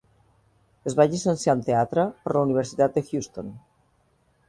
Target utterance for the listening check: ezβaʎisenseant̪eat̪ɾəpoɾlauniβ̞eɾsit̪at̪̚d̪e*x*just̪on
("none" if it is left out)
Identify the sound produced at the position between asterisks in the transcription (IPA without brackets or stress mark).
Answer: x